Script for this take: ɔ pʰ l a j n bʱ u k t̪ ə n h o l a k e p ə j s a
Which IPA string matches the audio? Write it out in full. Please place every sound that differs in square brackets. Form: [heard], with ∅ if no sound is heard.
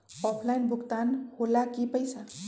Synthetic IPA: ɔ pʰ l a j n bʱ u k t̪ [a] n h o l a k [i] p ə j s a